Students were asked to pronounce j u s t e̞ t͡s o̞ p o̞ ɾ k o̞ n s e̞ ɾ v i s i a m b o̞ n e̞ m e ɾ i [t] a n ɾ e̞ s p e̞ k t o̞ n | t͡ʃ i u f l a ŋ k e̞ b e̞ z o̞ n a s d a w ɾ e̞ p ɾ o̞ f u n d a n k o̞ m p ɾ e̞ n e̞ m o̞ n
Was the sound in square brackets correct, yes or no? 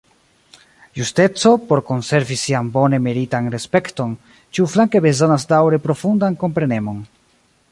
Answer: yes